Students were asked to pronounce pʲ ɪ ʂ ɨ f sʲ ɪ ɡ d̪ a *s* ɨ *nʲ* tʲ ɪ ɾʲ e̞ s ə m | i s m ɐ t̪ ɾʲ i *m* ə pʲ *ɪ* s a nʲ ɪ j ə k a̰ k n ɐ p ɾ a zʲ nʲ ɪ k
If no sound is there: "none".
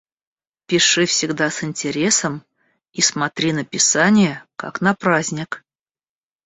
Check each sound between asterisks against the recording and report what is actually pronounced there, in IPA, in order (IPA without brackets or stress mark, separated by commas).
s, nʲ, n, ɪ